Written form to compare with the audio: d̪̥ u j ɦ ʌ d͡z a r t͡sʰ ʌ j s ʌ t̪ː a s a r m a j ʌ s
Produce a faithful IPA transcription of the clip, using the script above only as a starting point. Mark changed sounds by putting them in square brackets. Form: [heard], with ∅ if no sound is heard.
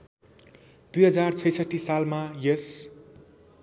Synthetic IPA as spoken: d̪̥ u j ɦ ʌ d͡z a r t͡sʰ ʌ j s ʌ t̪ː [i] s a [l] m a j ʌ s